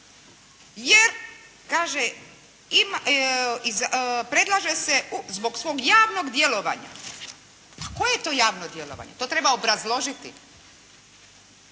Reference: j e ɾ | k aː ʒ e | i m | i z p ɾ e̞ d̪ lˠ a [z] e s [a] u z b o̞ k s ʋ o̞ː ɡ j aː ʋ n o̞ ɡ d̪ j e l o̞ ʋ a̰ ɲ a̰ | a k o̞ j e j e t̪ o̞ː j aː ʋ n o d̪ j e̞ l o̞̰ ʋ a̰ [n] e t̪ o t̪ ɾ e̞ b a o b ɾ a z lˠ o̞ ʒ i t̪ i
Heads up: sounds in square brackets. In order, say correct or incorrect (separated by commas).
incorrect, incorrect, incorrect